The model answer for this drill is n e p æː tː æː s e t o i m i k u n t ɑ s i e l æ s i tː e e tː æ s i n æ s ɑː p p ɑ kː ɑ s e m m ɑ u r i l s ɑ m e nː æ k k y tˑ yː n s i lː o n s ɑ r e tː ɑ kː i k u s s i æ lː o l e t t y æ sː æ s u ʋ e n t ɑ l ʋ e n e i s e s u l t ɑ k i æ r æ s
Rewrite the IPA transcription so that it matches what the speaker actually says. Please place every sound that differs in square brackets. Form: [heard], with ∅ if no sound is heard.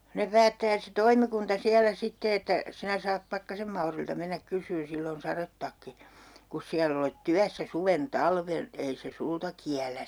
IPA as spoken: n e p æː tː æː s e t o i m i k u n t ɑ s i [æ] l æ s i tː e e tː æ s i n æ s ɑː p p ɑ kː ɑ s e m m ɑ u r i l [t] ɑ m e nː æ k k y [sˑ] yː n s i lː o n s ɑ r e tː ɑ kː i k u s s i æ lː o l e t t y æ sː æ s u ʋ e n t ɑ l ʋ e n e i s e s u l t ɑ k i æ [l] æ s